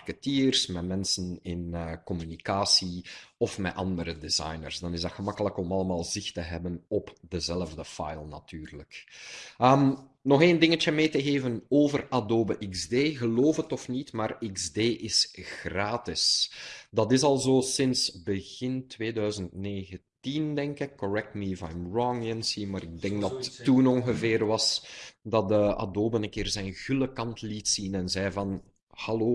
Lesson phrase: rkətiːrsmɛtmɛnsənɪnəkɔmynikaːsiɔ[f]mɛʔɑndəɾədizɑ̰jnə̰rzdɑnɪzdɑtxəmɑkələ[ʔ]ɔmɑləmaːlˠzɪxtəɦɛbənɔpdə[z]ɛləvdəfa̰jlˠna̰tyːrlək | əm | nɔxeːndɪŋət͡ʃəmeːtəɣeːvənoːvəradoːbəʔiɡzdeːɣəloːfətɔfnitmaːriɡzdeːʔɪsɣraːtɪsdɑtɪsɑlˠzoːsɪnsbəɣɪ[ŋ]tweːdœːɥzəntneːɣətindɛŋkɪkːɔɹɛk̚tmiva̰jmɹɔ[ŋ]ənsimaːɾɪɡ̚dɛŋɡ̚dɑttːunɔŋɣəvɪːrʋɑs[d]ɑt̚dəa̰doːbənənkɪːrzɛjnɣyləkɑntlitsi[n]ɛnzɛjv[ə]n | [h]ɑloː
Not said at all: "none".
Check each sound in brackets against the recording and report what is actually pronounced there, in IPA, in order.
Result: f, k, z, n, ŋ, d, n, ɑ, h

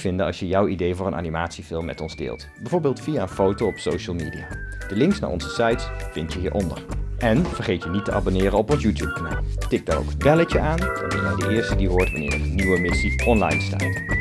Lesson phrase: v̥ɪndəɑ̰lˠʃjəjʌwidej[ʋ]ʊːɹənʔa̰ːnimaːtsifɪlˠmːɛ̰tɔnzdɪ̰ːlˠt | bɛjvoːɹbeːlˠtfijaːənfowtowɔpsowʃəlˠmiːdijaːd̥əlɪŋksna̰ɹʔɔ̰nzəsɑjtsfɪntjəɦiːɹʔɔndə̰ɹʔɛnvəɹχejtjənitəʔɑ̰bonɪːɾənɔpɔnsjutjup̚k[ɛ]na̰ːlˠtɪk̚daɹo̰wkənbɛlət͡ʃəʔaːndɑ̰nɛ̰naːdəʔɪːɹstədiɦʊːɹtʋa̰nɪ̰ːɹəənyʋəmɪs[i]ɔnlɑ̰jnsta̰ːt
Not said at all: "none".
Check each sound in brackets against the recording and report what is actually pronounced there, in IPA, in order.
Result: v, a, i

